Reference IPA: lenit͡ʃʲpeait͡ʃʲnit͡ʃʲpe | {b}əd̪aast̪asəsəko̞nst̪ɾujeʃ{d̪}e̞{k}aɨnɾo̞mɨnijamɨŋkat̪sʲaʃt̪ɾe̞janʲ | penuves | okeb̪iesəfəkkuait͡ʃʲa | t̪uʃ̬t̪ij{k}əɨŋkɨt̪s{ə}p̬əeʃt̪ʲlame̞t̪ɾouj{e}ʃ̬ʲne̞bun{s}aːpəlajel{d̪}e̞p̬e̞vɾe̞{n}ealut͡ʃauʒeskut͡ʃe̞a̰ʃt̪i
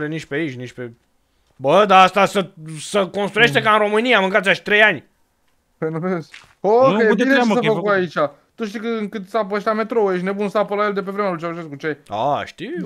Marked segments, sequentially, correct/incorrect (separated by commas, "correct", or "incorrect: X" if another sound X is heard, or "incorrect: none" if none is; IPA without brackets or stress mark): correct, incorrect: t̪, correct, correct, incorrect: a, correct, correct, correct, incorrect: m